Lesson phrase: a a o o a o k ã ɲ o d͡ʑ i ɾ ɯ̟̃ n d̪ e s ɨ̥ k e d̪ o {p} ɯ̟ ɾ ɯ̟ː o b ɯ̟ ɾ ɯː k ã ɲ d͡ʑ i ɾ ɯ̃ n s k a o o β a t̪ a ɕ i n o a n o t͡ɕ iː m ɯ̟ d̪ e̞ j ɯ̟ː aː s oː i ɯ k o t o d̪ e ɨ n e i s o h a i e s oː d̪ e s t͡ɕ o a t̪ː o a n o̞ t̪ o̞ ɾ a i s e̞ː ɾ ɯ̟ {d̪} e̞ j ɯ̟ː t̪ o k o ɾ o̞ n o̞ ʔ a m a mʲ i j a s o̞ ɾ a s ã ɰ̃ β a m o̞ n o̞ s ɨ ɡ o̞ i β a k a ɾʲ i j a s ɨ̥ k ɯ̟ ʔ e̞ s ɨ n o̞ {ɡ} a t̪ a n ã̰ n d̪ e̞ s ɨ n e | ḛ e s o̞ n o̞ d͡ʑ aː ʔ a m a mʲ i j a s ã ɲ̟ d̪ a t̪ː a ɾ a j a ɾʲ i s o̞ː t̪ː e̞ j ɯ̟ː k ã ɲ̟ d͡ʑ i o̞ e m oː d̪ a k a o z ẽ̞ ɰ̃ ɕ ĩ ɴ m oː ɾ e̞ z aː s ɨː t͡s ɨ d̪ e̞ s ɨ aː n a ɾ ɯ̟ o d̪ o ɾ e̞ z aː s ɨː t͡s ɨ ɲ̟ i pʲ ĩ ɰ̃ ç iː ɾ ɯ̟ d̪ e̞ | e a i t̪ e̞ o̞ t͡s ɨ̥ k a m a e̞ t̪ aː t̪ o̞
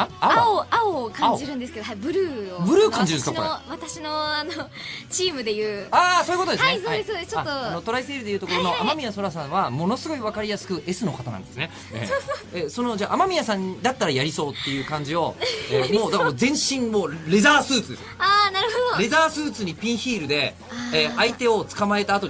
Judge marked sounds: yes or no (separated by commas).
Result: no, yes, no